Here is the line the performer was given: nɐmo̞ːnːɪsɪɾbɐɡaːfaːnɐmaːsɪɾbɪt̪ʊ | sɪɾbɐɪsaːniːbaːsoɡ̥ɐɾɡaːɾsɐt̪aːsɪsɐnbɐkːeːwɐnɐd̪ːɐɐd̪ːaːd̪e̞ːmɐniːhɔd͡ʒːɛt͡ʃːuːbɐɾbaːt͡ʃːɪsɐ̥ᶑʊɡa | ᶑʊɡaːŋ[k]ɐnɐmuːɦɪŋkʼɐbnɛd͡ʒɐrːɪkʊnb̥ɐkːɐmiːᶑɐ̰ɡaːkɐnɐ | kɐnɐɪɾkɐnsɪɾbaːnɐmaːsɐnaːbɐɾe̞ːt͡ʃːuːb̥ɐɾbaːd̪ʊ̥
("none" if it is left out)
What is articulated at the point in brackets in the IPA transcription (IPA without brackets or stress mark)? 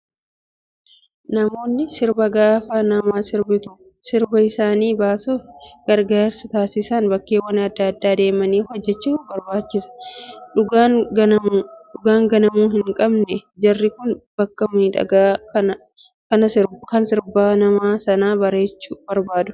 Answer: ɡ